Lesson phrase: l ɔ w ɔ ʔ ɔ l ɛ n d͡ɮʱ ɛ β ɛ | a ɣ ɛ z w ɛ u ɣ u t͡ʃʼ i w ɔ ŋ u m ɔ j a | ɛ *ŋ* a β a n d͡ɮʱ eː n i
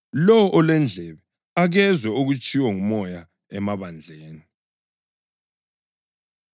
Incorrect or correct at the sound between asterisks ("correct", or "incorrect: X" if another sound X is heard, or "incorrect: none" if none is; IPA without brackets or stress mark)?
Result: incorrect: m